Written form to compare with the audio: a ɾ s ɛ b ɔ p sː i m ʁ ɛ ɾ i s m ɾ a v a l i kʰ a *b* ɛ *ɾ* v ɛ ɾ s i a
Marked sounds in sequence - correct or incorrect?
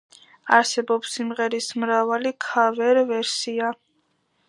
incorrect: v, correct

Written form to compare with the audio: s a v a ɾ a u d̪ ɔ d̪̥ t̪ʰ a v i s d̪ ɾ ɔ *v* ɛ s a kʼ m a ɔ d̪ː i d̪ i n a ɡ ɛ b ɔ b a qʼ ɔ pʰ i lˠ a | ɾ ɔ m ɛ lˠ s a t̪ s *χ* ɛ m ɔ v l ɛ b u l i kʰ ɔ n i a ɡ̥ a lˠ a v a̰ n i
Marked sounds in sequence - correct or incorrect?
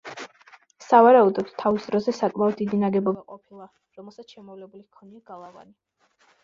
incorrect: z, incorrect: ʃ

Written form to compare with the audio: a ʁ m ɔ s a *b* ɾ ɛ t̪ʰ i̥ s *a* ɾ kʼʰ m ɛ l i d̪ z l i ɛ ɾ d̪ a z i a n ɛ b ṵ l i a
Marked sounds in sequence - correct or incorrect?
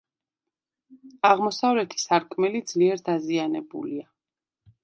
incorrect: v, correct

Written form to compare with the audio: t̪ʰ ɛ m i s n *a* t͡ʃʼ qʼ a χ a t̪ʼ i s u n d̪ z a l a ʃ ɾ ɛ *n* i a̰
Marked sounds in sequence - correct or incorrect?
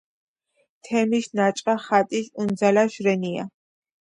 correct, correct

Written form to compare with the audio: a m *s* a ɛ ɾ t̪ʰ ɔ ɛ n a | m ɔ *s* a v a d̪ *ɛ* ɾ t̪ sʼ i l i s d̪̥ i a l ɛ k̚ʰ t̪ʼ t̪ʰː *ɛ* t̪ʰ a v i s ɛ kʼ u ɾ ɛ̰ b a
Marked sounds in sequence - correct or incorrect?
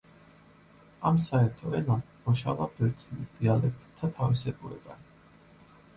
correct, incorrect: ʃ, correct, incorrect: a

